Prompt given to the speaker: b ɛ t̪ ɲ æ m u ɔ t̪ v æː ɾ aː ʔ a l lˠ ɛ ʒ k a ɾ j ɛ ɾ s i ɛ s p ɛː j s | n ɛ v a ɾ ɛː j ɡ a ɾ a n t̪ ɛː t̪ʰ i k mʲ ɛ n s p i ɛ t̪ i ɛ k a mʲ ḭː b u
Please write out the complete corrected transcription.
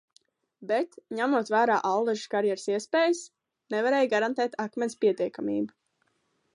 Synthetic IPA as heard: b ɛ t̪ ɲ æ m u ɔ t̪ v æː ɾ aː ʔ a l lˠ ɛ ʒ k a ɾ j ɛ ɾ s i ɛ s p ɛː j s | n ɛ v a ɾ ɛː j ɡ a ɾ a n t̪ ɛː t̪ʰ a k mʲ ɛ n s p i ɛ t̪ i ɛ k a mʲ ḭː b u